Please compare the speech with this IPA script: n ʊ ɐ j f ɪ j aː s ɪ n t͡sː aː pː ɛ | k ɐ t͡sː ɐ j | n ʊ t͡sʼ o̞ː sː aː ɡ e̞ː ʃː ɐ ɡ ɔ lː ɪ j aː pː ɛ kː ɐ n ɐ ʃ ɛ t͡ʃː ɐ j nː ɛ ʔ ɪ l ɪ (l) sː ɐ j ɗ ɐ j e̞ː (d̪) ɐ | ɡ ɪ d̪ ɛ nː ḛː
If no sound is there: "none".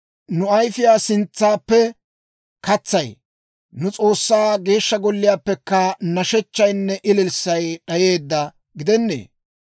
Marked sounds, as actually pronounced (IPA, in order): l, d̪ː

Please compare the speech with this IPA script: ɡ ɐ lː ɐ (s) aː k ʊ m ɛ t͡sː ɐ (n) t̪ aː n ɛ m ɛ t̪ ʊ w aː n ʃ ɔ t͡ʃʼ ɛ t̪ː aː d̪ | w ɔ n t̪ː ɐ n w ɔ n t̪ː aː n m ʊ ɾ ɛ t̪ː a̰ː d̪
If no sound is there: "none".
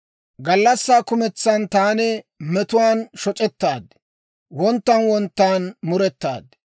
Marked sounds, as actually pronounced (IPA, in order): sː, n

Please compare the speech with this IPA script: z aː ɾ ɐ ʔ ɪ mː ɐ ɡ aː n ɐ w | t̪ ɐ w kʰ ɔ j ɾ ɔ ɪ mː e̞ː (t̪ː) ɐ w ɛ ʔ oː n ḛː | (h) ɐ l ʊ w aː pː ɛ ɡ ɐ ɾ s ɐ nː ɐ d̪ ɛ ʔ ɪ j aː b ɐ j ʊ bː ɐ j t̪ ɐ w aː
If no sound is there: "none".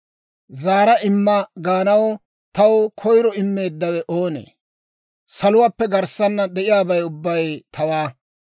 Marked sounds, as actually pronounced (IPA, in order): d̪ː, s

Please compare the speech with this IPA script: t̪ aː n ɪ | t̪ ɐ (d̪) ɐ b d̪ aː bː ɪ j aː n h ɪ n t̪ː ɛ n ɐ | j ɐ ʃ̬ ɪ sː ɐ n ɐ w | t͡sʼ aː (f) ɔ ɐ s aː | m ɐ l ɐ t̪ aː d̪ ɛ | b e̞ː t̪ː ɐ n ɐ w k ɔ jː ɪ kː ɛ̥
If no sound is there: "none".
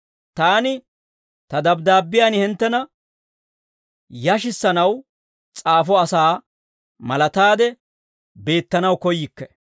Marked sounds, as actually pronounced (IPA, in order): d̪, f

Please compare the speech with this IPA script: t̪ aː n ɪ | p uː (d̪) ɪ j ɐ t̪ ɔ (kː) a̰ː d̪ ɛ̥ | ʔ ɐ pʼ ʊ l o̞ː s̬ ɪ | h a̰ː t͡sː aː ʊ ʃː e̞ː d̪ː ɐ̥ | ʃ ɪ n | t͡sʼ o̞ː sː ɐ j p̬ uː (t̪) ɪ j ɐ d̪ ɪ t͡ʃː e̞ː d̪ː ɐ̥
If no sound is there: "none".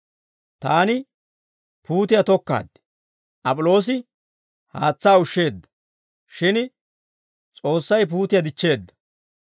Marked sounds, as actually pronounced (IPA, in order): t̪, kː, t̪

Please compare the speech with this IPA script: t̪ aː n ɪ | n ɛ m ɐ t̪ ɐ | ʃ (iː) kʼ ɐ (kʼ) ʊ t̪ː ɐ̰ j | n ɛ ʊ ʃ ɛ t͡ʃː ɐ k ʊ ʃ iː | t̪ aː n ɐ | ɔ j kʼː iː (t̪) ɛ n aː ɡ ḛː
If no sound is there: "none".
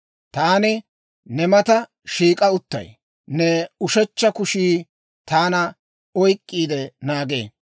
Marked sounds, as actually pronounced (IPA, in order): iː, none, d̪

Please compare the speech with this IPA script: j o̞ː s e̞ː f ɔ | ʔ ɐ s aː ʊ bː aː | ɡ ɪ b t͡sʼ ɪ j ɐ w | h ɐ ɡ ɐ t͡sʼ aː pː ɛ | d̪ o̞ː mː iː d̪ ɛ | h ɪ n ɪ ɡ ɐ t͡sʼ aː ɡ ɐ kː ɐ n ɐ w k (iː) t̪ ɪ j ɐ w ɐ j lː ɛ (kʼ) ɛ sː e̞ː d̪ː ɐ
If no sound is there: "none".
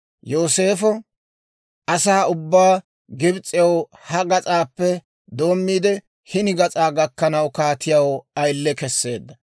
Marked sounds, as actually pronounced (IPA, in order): aː, k

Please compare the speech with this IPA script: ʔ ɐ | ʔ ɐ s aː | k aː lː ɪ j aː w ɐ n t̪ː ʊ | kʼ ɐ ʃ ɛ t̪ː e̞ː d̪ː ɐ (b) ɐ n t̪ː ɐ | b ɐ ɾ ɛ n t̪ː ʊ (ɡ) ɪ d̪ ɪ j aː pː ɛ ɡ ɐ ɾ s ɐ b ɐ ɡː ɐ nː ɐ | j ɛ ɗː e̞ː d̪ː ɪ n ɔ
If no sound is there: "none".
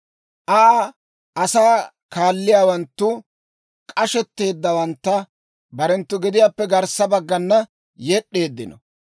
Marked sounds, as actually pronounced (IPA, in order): w, ɡ

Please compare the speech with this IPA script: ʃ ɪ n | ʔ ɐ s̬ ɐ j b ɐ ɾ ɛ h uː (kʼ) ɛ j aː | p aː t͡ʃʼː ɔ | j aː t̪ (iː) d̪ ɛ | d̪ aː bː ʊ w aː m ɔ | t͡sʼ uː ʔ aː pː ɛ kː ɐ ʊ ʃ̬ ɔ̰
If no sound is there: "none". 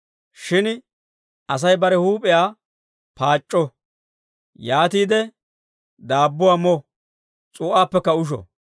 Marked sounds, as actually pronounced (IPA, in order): pʼ, iː

